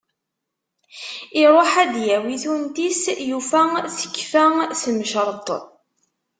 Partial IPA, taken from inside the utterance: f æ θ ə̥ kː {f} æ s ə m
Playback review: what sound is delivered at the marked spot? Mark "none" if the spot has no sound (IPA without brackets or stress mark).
f